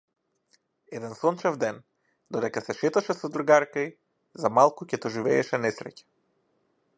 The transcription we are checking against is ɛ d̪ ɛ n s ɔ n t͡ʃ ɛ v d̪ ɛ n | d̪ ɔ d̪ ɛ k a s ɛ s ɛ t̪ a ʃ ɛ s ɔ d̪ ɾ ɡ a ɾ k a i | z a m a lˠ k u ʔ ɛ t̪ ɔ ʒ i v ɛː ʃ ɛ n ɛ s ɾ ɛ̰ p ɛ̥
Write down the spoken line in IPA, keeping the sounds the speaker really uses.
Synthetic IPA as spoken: ɛ d̪ ɛ n s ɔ n t͡ʃ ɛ v d̪ ɛ n | d̪ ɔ d̪ ɛ k a s ɛ ʃ ɛ t̪ a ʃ ɛ s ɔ d̪ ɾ ɡ a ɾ k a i | z a m a lˠ k u c ɛ t̪ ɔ ʒ i v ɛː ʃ ɛ n ɛ s ɾ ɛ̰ c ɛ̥